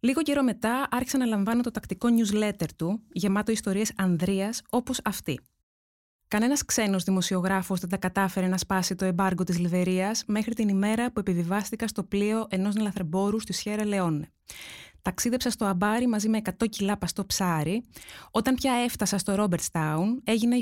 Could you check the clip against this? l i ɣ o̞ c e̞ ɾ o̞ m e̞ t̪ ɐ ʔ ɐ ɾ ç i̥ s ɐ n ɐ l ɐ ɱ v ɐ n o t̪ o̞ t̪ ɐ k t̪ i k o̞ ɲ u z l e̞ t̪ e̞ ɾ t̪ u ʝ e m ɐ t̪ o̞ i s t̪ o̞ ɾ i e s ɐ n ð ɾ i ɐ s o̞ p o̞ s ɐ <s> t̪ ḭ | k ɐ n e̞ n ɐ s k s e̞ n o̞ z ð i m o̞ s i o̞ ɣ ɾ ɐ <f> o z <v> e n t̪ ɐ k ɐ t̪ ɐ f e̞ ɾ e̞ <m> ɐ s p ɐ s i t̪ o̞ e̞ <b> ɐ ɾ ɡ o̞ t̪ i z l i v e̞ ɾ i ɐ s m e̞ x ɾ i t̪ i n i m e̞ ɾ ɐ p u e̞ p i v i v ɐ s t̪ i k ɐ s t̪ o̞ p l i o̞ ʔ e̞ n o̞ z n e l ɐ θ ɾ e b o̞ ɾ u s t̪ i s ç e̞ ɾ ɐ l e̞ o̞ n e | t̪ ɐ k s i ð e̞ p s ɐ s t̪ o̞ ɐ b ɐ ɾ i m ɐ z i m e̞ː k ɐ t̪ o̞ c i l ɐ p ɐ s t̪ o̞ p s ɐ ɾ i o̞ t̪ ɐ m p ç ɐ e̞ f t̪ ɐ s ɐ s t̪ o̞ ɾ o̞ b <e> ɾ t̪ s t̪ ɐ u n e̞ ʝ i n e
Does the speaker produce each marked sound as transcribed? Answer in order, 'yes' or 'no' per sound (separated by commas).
no, yes, no, no, yes, yes